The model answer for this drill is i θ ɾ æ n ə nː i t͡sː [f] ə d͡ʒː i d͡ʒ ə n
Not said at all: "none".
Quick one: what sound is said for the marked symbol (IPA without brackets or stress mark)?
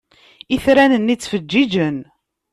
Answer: f